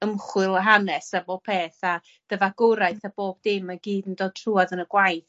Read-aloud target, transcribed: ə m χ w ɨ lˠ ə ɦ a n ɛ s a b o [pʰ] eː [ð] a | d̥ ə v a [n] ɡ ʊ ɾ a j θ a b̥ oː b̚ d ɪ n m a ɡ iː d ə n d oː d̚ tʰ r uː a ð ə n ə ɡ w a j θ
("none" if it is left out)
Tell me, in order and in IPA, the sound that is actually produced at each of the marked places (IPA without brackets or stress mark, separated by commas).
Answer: pʰ, θ, none